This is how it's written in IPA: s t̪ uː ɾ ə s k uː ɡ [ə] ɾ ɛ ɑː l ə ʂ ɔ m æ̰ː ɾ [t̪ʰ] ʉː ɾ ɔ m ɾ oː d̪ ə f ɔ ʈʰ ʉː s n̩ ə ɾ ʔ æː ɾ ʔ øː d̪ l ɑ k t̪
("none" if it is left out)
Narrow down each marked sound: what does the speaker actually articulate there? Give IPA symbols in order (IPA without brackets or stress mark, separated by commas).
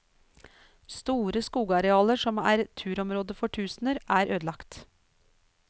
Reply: ɑ, t̪ʰ